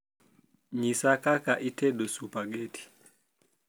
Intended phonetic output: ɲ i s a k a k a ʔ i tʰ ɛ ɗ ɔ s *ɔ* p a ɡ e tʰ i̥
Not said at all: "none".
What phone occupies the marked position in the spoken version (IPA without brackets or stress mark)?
u